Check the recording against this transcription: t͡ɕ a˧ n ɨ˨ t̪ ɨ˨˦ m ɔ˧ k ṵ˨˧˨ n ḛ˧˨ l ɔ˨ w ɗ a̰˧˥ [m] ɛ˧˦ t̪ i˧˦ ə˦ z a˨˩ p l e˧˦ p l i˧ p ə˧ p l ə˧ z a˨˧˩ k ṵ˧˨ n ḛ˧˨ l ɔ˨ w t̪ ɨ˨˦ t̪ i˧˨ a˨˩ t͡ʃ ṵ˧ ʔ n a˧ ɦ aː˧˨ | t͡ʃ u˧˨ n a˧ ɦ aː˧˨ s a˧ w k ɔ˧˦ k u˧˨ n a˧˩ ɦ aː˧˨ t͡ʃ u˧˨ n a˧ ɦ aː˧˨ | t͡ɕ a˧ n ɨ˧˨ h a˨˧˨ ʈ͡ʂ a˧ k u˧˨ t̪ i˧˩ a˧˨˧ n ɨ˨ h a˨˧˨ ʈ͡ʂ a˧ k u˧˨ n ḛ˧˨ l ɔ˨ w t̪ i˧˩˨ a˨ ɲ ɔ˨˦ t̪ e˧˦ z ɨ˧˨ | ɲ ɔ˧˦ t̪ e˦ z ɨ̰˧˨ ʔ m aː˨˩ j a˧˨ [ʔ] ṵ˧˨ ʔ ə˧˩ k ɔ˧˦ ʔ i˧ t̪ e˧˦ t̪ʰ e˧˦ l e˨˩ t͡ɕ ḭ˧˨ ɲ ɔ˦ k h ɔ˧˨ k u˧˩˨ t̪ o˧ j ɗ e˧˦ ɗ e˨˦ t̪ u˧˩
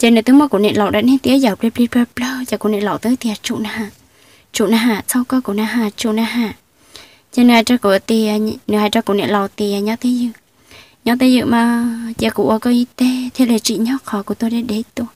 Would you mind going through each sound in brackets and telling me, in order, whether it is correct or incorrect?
incorrect: n, incorrect: k

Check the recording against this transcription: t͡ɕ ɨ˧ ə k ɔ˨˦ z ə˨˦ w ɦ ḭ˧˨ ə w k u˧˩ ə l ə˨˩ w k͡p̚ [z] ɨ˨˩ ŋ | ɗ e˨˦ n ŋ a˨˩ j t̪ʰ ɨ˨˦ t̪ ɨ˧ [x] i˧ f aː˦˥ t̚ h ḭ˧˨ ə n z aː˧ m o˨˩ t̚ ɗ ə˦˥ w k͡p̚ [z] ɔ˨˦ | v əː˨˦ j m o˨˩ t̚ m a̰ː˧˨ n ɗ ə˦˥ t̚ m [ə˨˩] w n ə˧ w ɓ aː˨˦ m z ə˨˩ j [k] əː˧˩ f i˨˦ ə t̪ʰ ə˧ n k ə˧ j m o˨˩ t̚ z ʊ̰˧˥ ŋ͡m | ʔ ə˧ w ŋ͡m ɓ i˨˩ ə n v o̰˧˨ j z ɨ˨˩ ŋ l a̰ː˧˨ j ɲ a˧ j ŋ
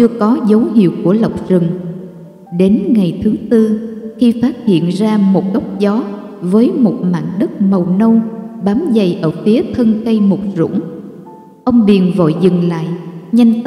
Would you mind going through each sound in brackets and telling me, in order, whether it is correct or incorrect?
correct, correct, correct, correct, incorrect: ʔ

